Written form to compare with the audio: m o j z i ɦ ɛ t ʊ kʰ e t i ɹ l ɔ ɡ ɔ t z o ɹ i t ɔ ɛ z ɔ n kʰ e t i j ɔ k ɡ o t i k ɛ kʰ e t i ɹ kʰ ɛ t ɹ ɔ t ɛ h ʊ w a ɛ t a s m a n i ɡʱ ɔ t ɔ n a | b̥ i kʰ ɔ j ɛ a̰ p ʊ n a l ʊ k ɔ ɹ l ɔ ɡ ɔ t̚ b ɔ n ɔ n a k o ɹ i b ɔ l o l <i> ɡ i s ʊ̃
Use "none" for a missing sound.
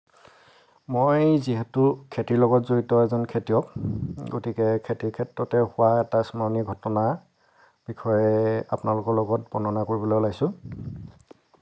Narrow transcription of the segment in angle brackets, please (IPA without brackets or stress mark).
a